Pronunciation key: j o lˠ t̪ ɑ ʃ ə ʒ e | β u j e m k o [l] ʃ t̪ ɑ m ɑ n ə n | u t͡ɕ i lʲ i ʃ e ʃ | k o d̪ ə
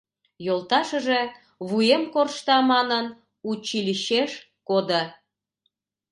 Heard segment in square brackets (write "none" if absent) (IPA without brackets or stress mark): r